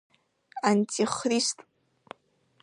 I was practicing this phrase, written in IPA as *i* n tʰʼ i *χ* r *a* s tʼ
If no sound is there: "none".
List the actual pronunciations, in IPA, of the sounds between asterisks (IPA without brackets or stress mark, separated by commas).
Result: a, χ, i